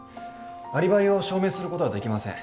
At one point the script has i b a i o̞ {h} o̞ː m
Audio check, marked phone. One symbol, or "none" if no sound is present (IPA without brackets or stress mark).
ɕ